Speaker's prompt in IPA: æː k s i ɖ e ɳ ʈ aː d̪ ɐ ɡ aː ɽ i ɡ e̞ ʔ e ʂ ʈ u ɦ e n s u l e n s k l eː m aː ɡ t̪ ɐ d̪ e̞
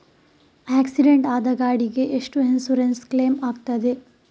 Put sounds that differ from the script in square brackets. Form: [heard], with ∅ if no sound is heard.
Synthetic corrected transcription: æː k s i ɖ e ɳ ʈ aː d̪ ɐ ɡ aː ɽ i ɡ e̞ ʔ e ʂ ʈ u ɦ e n s u [ɾ] e n s k l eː m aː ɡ t̪ ɐ d̪ e̞

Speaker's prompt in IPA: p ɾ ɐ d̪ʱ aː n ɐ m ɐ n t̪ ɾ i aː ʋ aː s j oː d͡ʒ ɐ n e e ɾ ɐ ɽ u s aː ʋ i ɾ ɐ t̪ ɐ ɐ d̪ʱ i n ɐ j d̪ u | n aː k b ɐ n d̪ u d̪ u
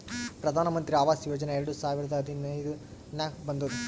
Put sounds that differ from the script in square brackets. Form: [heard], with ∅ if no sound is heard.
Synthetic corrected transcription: p ɾ ɐ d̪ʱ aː n ɐ m ɐ n t̪ ɾ i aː ʋ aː s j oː d͡ʒ ɐ n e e ɾ ɐ ɽ u s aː ʋ i ɾ ɐ [d̪] ɐ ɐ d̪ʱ i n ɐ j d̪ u | n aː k b ɐ n d̪ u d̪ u

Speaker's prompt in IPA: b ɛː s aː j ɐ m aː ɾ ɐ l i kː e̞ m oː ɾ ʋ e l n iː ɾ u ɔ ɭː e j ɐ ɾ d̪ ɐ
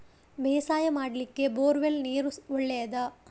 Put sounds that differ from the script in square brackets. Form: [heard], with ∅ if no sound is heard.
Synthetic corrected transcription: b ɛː s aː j ɐ m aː [ɽ] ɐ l i kː e̞ [b] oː ɾ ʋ e l n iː ɾ u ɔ ɭː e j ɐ [∅] d̪ ɐ

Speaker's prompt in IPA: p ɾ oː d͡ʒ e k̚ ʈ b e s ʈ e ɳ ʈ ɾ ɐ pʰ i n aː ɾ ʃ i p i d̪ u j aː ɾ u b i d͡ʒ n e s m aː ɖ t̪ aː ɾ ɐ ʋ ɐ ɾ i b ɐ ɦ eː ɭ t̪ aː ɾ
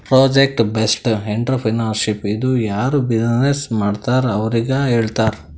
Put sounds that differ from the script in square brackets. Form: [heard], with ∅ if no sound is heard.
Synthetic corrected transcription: p ɾ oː d͡ʒ e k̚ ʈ b e s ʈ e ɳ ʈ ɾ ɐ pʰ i n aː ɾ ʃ i p i d̪ u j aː ɾ u b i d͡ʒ n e s m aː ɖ t̪ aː ɾ ɐ ʋ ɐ ɾ i [ɡ] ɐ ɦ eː ɭ t̪ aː ɾ

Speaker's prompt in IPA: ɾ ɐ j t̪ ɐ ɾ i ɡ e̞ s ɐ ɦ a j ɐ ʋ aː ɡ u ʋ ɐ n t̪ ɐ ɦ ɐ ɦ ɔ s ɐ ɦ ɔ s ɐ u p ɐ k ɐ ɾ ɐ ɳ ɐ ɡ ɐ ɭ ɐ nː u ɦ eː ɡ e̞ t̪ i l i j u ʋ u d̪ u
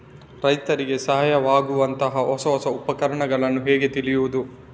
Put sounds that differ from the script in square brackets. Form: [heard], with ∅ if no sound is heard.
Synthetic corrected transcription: ɾ ɐ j t̪ ɐ ɾ i ɡ e̞ s ɐ ɦ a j ɐ ʋ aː ɡ u ʋ ɐ n t̪ ɐ ɦ ɐ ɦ ɔ s ɐ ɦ ɔ s ɐ u p ɐ k ɐ ɾ ɐ ɳ ɐ ɡ ɐ ɭ ɐ nː u ɦ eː ɡ e̞ t̪ i l i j u ʋ u d̪ u

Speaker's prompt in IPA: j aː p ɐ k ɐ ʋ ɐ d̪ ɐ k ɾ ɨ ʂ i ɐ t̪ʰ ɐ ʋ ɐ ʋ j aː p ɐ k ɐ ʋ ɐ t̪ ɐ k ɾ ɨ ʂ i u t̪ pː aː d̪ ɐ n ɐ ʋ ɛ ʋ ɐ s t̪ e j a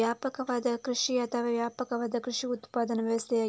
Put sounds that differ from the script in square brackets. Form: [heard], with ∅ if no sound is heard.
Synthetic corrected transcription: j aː p ɐ k ɐ ʋ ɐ d̪ ɐ k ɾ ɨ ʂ i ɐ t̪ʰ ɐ ʋ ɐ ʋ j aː p ɐ k ɐ ʋ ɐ [d̪] ɐ k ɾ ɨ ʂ i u t̪ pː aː d̪ ɐ n ɐ ʋ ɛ ʋ ɐ s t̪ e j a

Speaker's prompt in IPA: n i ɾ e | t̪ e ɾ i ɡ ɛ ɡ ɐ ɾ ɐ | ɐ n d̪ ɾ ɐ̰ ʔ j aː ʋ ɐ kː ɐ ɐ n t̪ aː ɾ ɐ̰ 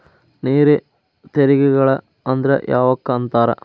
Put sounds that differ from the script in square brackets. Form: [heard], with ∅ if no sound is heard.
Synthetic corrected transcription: n [iː] ɾ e | t̪ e ɾ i ɡ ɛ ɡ ɐ [ɭ] ɐ | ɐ n d̪ ɾ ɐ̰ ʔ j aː ʋ ɐ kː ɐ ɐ n t̪ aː ɾ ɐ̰

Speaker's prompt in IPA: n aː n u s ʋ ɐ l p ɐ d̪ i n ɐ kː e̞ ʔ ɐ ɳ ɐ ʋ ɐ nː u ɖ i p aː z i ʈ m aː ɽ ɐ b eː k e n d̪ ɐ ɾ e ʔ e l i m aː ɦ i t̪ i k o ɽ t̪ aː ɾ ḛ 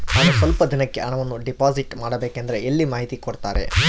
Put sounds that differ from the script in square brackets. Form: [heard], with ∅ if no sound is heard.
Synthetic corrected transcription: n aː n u s ʋ ɐ l p ɐ d̪ i n ɐ kː e̞ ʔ ɐ ɳ ɐ ʋ ɐ nː u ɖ i p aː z i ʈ m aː ɽ ɐ b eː k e n d̪ ɐ ɾ e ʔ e [lː] i m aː ɦ i t̪ i k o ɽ t̪ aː ɾ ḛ

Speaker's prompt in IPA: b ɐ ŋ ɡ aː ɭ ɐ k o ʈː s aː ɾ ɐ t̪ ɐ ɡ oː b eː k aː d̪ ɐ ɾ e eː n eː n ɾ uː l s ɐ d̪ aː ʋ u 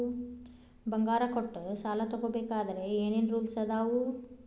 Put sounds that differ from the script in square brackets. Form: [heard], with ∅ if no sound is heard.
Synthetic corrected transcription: b ɐ ŋ ɡ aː [ɾ] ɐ k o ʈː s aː [l] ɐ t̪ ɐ ɡ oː b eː k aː d̪ ɐ ɾ e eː n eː n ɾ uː l s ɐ d̪ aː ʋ u

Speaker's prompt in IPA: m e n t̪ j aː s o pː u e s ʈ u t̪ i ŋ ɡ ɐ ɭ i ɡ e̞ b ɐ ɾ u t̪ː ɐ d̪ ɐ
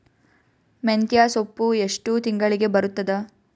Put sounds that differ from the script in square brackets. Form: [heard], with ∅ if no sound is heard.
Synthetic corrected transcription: m e n t̪ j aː s o pː u e [ʂ] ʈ u t̪ i ŋ ɡ ɐ ɭ i ɡ e̞ b ɐ ɾ u t̪ː ɐ d̪ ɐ

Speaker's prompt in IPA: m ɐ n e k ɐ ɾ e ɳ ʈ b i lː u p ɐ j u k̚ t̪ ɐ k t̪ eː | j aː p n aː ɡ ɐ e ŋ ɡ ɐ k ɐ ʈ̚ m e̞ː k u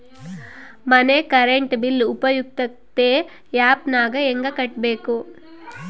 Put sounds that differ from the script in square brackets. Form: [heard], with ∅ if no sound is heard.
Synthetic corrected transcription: m ɐ n e k ɐ ɾ e ɳ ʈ b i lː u p ɐ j u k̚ t̪ ɐ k t̪ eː | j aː p n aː ɡ ɐ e ŋ ɡ ɐ k ɐ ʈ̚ [b] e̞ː k u

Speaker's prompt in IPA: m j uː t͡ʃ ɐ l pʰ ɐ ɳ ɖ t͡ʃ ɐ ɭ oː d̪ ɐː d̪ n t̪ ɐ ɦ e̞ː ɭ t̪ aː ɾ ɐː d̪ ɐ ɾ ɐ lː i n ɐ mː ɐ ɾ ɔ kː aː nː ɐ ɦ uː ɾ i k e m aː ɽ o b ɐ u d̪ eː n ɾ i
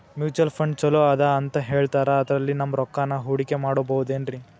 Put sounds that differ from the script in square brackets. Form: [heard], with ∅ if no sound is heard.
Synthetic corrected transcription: m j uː t͡ʃ ɐ l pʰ ɐ ɳ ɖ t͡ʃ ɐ [l] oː d̪ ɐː [∅] n t̪ ɐ ɦ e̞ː ɭ t̪ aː ɾ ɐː d̪ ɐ ɾ ɐ lː i n ɐ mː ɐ ɾ ɔ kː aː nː ɐ ɦ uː [ɽ] i k e m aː ɽ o b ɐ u d̪ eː n ɾ i

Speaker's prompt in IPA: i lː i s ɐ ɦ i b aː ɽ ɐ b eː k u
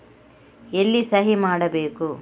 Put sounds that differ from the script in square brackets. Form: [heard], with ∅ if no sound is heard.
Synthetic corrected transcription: [e] lː i s ɐ ɦ i [m] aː ɽ ɐ b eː k u

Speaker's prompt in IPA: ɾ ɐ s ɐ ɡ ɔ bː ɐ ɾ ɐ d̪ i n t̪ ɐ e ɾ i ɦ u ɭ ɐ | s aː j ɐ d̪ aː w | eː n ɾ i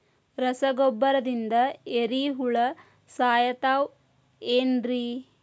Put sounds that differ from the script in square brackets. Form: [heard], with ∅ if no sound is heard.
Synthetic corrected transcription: ɾ ɐ s ɐ ɡ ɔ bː ɐ ɾ ɐ d̪ i n [d̪] ɐ e ɾ i ɦ u ɭ ɐ | s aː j ɐ [t̪] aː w | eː n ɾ i

